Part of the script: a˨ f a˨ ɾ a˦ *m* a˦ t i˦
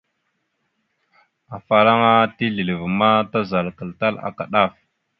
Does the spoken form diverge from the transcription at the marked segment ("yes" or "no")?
yes